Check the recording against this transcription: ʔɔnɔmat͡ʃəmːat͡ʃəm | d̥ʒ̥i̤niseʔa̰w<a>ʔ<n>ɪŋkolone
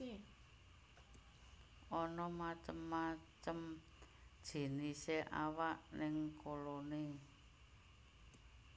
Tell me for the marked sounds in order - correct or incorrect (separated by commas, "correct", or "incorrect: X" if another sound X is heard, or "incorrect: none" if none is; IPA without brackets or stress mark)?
correct, correct